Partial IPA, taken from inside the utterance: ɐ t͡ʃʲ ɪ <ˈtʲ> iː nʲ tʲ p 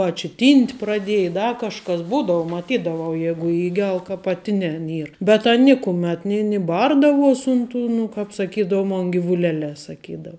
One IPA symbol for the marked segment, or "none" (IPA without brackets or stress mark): tʲ